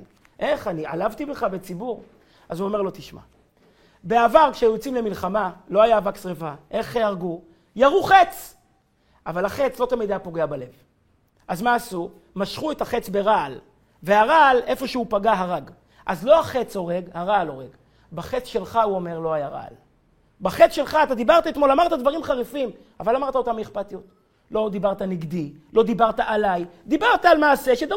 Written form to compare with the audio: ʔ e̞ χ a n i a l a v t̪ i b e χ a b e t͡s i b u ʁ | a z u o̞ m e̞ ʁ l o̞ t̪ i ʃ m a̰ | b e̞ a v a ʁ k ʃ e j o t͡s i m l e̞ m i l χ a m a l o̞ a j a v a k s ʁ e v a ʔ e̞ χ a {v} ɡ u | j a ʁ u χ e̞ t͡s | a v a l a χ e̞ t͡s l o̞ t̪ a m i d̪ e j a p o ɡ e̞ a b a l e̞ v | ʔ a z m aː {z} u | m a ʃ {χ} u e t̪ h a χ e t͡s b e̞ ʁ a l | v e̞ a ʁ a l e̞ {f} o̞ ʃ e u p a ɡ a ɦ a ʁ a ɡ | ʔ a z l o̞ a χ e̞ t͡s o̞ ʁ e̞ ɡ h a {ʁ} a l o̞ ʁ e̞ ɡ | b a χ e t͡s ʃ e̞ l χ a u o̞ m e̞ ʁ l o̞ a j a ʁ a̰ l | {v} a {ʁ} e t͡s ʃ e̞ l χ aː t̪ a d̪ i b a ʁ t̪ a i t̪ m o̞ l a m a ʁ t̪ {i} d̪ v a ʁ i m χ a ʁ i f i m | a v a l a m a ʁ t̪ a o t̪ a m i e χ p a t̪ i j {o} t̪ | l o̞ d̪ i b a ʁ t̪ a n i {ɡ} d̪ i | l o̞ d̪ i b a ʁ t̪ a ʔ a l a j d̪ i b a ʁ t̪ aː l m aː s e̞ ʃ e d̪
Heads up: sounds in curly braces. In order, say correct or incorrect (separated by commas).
incorrect, incorrect, correct, correct, correct, incorrect, incorrect, incorrect, correct, correct